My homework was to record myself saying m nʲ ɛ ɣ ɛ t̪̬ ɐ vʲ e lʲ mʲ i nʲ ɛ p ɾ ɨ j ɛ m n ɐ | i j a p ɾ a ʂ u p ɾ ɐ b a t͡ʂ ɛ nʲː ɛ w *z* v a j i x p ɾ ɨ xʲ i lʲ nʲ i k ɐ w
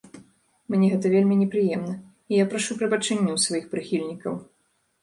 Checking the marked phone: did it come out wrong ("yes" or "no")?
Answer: yes